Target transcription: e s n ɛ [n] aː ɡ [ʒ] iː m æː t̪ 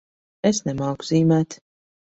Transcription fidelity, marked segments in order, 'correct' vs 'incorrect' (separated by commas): incorrect, incorrect